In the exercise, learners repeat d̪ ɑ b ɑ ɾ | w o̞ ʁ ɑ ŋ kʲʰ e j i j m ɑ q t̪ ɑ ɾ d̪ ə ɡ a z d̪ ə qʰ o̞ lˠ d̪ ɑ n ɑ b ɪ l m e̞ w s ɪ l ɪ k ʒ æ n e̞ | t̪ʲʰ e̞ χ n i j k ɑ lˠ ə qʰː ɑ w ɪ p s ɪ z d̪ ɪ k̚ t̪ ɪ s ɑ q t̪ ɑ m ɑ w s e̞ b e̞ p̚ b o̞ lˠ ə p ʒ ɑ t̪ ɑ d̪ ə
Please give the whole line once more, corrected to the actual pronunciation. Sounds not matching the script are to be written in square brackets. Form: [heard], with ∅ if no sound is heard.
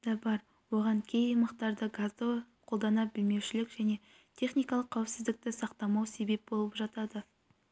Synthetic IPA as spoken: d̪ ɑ b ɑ ɾ | w o̞ ʁ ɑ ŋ kʲʰ e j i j m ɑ q t̪ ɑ ɾ d̪ ə ɡ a z d̪ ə qʰ o̞ lˠ d̪ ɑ n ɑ b ɪ l m e̞ w [ʃ] ɪ l ɪ k ʒ æ n e̞ | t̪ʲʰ e̞ χ n i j k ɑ lˠ ə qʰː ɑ w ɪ p s ɪ z d̪ ɪ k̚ t̪ ɪ s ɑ q t̪ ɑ m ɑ w s e̞ b e̞ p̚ b o̞ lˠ ə p ʒ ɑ t̪ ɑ d̪ ə